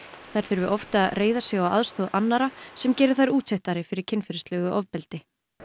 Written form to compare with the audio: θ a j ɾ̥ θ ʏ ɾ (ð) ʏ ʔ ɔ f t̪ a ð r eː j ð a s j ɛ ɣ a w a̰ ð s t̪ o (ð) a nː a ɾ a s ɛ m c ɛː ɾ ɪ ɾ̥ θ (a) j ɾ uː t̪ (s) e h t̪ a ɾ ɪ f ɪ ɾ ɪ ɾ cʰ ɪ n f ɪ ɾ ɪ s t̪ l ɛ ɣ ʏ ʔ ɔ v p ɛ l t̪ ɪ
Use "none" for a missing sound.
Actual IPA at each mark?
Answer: v, ð, a, s

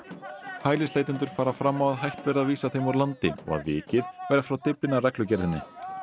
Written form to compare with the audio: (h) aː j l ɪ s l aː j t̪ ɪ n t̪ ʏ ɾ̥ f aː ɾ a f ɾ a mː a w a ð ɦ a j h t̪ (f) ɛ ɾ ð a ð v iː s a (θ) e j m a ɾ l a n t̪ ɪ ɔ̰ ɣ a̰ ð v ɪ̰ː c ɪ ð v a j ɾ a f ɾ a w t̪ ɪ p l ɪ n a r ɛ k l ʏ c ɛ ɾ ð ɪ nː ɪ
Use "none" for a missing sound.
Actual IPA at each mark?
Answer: h, v, θ

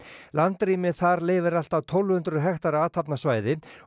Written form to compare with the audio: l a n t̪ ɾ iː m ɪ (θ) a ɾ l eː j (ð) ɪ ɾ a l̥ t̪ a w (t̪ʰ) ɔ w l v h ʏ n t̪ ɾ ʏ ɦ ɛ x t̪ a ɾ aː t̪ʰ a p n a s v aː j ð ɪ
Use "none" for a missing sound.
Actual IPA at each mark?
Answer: θ, v, t̪ʰ

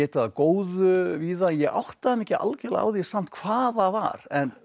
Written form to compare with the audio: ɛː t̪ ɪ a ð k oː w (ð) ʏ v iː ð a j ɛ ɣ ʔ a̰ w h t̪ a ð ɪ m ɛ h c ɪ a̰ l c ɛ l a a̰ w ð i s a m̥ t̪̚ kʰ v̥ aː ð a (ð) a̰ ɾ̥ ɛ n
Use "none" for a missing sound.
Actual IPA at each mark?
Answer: ð, v

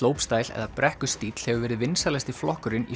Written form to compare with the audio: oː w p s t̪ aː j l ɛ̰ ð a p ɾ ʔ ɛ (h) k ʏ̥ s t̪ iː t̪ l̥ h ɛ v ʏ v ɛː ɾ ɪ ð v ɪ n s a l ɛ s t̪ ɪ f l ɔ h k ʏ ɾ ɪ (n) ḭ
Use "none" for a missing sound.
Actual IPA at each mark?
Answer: h, n

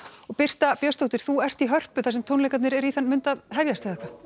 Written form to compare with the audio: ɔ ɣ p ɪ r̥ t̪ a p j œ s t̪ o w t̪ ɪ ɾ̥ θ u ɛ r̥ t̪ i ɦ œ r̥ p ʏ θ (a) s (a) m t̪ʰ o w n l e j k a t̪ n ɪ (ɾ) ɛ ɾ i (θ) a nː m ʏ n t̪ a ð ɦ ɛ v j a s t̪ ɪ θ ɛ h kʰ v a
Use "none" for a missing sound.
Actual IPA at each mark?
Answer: a, ɛ, ɾ, θ

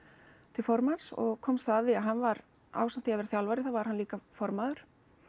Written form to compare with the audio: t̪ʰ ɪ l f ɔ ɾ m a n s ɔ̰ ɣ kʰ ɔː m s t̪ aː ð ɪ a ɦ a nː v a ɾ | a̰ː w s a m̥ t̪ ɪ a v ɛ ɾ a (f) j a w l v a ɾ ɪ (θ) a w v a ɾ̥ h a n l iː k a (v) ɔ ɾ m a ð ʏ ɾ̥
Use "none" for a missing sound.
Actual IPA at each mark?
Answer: θ, θ, f

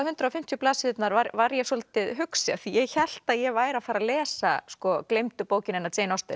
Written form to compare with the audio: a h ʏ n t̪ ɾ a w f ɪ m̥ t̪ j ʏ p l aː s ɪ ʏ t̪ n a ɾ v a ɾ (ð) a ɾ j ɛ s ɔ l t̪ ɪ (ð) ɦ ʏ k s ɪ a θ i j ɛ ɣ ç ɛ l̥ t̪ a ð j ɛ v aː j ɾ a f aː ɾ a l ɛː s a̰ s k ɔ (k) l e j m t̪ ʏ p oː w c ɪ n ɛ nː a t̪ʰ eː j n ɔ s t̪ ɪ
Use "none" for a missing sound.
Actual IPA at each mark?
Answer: v, ð, k

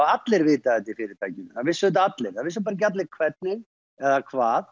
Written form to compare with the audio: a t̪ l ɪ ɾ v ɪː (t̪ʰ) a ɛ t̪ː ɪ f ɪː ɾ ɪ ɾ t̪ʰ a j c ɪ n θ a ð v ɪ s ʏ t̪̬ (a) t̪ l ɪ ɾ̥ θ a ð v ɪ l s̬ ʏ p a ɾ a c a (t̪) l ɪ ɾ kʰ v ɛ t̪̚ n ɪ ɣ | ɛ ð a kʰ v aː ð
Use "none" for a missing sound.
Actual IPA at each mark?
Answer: t̪, a, t̪

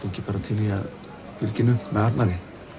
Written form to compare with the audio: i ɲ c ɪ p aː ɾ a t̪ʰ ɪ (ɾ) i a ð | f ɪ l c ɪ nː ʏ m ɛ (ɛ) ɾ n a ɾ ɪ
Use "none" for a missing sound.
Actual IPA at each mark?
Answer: l, a

